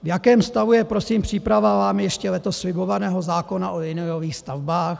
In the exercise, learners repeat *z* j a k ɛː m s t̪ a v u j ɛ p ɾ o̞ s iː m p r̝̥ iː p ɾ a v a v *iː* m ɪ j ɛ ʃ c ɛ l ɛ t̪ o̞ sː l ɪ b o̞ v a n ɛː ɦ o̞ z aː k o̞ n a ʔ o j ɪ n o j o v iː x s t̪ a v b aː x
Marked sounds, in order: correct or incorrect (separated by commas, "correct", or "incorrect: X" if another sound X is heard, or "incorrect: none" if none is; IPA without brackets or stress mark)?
incorrect: v, incorrect: aː